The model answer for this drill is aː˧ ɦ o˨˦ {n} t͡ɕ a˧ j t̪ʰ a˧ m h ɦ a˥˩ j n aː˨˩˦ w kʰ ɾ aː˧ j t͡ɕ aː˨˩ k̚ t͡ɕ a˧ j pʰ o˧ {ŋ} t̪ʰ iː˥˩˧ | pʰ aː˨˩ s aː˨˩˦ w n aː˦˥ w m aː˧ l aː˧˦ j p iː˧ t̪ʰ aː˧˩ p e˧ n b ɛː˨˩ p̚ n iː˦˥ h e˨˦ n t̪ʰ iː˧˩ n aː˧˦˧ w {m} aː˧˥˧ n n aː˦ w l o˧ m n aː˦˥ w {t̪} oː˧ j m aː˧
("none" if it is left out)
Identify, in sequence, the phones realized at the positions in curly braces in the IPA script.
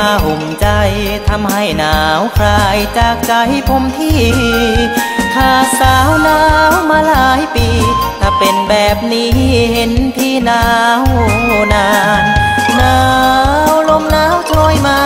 m, m, n, t̪ʰ

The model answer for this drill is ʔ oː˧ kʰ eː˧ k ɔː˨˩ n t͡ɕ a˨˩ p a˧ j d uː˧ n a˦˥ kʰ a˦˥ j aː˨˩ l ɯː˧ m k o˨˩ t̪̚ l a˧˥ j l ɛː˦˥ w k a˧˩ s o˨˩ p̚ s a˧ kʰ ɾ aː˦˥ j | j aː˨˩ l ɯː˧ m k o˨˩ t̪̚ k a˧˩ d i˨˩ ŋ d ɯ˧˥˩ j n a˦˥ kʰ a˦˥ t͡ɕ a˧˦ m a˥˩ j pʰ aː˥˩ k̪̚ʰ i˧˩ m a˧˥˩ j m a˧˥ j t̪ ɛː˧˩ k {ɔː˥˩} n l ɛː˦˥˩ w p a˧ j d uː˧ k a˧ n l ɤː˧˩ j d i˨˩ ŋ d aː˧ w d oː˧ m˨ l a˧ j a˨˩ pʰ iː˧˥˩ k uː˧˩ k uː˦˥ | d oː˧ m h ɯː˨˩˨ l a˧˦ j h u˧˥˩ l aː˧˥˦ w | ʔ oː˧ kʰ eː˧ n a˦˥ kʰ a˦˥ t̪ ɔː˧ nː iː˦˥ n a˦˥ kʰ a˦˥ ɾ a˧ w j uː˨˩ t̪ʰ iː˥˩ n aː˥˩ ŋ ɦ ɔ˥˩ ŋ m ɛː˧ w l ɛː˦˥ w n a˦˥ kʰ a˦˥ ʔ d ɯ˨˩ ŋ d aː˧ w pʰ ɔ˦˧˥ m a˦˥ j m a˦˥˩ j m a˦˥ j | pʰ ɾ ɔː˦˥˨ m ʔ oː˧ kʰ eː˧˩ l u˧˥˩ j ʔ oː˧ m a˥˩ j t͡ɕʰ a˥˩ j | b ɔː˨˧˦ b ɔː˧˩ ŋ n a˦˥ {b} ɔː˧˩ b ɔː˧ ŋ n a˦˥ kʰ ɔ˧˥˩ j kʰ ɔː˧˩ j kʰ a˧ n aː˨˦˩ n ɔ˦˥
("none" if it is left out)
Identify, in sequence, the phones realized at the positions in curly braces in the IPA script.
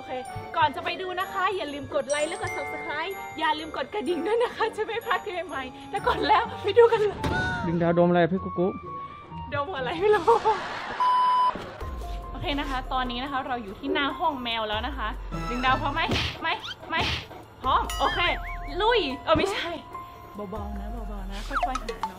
ɔː˨˩, b

